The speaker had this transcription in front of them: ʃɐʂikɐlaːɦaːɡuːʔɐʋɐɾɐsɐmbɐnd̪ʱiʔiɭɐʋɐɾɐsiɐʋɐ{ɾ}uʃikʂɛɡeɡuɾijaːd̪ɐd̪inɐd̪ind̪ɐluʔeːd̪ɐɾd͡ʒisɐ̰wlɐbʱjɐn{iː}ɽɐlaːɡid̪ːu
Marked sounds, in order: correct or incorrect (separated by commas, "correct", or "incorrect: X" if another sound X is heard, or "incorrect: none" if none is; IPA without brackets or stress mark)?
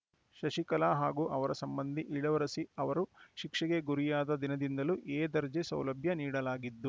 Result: correct, correct